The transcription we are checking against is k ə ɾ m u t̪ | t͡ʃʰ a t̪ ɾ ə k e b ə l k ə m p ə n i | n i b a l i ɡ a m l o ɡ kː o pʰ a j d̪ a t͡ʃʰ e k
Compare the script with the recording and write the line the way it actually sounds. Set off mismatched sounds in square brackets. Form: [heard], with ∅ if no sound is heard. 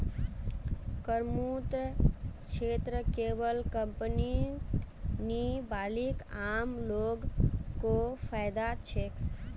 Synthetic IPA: k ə ɾ m u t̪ | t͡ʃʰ [e] t̪ ɾ ə k e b ə l k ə m p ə n i | n i b a l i [k] a m l o ɡ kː o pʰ a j d̪ a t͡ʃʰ e k